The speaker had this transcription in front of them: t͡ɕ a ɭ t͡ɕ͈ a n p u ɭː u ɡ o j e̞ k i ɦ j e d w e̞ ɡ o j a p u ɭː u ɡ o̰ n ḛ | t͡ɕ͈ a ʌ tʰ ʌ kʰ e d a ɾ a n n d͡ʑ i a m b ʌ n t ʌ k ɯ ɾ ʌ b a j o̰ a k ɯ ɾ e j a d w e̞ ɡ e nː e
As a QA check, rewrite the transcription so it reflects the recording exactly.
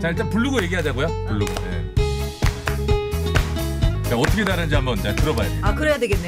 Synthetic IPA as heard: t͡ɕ a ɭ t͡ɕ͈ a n p u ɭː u ɡ o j e̞ ɡ i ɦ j a d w e̞ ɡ o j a p u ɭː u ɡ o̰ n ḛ | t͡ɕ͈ a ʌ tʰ ʌ kʰ e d a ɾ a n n d͡ʑ i a m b ʌ n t a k ɯ ɾ ʌ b a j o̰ a k ɯ ɾ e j a d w e̞ ɡ e nː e